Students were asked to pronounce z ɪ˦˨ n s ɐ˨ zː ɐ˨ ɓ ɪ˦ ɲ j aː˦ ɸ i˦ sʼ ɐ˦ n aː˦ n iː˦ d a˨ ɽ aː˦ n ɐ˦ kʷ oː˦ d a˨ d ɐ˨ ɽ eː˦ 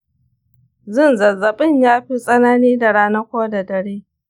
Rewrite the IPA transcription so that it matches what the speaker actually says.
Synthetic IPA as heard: z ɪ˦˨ n z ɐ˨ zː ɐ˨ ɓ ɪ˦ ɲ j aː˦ ɸ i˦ sʼ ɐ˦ n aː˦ n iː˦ d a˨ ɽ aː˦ n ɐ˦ kʷ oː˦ d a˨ d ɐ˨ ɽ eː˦